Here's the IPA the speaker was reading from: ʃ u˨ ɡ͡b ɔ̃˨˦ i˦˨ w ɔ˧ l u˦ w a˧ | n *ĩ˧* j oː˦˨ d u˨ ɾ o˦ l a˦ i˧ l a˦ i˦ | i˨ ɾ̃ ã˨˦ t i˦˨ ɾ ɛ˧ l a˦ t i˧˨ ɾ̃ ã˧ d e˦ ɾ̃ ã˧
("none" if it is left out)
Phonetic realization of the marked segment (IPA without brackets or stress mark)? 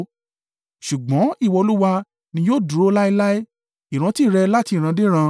ĩ˧